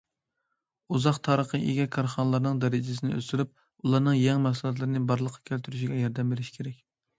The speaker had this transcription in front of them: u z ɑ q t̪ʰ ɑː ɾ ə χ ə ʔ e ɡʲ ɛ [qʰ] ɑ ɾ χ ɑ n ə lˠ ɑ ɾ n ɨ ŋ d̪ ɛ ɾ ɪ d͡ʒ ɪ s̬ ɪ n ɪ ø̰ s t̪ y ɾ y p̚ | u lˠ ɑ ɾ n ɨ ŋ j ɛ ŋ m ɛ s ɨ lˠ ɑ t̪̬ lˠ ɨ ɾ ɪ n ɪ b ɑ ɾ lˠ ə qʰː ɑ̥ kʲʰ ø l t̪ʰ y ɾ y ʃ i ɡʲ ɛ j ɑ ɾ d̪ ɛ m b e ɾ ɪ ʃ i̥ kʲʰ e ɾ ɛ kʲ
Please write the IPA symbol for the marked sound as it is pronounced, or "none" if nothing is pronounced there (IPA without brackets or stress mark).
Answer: kʰ